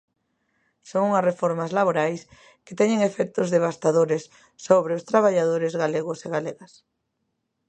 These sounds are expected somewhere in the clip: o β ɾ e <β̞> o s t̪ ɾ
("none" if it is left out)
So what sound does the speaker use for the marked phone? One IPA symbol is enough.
none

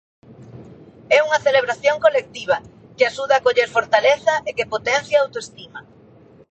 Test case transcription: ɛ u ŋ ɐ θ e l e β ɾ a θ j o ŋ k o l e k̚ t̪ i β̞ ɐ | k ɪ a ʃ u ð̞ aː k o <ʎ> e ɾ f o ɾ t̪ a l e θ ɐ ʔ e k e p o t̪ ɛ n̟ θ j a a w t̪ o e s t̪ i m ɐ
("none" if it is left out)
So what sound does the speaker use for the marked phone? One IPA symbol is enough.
ʎ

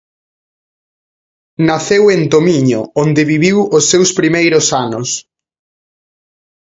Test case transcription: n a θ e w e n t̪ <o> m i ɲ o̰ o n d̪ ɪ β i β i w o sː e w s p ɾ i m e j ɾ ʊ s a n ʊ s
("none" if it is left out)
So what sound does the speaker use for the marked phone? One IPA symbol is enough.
o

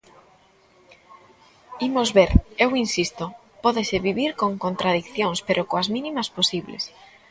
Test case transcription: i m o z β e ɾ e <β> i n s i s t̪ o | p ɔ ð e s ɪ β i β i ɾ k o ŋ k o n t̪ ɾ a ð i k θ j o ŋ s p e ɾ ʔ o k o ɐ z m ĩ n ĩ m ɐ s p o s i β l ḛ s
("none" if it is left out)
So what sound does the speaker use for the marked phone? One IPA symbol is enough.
w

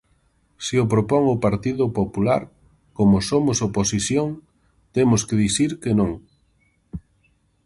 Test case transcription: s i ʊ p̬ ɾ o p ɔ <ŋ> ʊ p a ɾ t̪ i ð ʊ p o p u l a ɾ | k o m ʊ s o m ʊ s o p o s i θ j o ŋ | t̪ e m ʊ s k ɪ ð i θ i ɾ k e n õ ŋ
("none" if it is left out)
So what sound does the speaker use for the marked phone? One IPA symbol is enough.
ŋ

